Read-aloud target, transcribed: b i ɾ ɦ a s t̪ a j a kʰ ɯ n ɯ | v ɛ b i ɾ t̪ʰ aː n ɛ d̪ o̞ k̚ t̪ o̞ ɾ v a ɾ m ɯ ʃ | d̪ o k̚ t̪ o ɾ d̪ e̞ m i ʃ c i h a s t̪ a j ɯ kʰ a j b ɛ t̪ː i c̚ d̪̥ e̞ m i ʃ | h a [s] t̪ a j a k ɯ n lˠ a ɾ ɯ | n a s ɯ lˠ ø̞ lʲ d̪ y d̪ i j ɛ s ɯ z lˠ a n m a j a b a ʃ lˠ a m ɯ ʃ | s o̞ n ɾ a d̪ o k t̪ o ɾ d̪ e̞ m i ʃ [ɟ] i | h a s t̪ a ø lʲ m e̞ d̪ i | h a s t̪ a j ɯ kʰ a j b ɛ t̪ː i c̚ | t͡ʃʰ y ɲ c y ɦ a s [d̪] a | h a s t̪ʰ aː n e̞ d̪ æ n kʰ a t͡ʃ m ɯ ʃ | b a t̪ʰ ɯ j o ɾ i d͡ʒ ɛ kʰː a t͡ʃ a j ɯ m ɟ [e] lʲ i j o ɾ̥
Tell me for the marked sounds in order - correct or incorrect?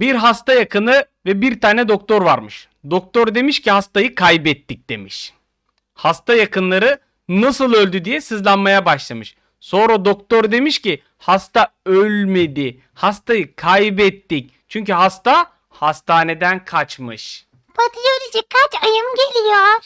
correct, incorrect, incorrect, correct

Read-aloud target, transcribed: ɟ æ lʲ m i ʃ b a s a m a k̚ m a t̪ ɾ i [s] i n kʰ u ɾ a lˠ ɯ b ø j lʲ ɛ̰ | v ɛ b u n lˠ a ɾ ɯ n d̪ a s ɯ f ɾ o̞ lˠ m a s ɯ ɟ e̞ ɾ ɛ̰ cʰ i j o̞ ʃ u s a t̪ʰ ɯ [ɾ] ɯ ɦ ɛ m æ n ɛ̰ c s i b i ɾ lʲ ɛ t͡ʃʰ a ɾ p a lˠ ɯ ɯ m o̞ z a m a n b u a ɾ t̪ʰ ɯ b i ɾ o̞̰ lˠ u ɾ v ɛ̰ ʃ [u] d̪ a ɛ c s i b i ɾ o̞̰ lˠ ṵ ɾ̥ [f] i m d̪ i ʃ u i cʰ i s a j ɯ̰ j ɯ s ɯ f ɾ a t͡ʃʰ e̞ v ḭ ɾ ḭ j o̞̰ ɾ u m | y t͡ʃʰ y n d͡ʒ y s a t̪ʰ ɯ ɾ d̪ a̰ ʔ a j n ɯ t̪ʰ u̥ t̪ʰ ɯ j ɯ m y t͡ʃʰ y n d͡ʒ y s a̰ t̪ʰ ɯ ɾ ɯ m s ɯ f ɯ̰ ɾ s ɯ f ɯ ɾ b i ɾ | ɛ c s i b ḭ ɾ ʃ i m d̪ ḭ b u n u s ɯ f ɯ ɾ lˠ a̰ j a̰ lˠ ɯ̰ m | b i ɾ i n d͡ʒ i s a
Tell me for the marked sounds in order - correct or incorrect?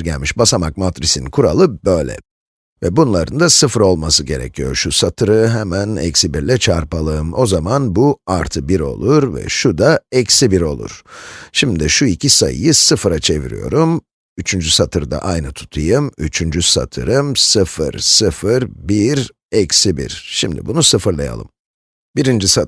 correct, correct, correct, incorrect

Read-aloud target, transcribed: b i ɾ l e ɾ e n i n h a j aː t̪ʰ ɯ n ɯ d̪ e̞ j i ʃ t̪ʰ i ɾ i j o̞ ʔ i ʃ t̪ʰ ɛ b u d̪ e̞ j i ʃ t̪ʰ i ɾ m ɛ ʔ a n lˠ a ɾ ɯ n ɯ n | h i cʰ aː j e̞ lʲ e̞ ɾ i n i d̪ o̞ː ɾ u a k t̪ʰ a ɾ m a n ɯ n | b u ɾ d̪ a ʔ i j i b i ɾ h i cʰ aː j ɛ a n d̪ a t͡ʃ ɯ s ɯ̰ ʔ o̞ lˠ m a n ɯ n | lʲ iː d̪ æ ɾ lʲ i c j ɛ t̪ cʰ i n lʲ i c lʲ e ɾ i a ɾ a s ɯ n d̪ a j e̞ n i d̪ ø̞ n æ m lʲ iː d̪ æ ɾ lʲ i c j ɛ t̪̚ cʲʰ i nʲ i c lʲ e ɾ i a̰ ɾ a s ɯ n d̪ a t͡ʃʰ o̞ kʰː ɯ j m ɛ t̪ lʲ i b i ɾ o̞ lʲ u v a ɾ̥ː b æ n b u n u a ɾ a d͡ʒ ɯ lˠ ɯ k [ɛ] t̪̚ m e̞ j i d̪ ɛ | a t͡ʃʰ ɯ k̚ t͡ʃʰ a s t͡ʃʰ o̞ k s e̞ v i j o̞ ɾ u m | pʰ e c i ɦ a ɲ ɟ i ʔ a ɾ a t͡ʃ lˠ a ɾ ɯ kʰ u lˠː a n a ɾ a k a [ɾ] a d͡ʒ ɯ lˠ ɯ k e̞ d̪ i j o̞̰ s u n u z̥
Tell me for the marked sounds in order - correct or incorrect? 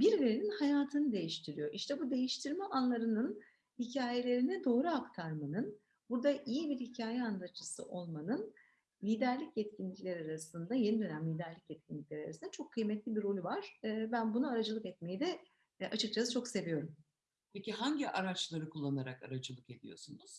correct, correct

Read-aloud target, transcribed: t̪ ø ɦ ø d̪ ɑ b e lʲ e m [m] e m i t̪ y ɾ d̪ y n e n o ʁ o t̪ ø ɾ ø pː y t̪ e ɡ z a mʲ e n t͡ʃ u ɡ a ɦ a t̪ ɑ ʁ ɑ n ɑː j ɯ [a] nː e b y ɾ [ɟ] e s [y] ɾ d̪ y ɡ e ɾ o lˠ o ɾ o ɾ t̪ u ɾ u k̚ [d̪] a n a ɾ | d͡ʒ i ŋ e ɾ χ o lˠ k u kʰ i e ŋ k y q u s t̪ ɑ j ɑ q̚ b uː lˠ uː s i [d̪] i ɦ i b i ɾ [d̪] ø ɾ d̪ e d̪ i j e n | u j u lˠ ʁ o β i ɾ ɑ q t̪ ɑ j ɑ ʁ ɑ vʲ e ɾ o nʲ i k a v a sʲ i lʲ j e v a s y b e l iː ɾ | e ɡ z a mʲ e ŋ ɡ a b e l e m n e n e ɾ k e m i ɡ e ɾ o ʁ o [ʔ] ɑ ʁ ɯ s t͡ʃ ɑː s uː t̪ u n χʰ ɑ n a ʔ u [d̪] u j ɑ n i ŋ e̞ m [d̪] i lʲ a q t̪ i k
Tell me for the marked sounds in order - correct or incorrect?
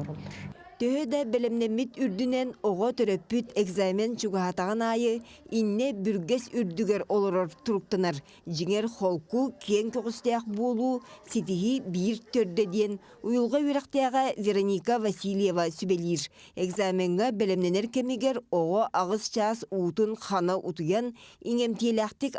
incorrect, incorrect, incorrect, correct, incorrect, incorrect, incorrect, correct, incorrect, incorrect

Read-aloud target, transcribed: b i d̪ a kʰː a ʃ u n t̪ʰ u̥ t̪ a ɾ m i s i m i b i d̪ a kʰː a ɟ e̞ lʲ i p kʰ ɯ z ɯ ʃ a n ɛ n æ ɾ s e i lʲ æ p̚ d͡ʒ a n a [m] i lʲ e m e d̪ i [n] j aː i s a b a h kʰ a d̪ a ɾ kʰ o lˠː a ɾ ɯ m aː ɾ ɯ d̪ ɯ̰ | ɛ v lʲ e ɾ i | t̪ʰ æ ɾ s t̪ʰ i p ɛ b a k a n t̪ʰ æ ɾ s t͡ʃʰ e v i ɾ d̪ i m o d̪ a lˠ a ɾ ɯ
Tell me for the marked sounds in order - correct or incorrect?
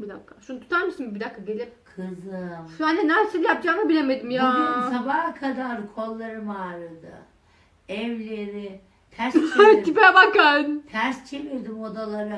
incorrect, incorrect

